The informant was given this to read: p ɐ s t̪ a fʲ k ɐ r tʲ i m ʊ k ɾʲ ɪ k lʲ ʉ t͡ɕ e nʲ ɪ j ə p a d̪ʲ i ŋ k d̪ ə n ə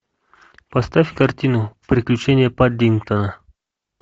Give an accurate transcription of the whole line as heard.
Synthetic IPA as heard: p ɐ s t̪ a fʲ k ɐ r tʲ i n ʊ p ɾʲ ɪ k lʲ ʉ t͡ɕ e nʲ ɪ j ə p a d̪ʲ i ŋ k t̪ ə n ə